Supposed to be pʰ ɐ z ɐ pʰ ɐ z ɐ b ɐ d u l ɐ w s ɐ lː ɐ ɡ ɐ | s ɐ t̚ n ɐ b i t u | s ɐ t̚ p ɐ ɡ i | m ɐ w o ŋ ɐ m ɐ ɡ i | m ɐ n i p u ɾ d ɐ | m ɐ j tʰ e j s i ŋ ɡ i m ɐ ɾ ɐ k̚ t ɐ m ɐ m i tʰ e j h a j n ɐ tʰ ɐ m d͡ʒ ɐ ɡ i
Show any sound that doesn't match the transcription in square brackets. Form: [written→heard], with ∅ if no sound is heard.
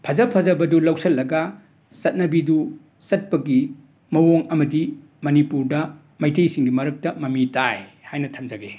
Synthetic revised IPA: pʰ ɐ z ɐ pʰ ɐ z ɐ b ɐ d u l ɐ w s ɐ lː ɐ ɡ ɐ | s ɐ t̚ n ɐ b i [t→d] u | s ɐ t̚ p ɐ ɡ i | m ɐ w o ŋ ɐ m ɐ [ɡ→d] i | m ɐ n i p u ɾ d ɐ | m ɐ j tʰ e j s i ŋ ɡ i m ɐ ɾ ɐ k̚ t ɐ m ɐ m i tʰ [e→a] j h a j n ɐ tʰ ɐ m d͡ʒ ɐ ɡ [i→e]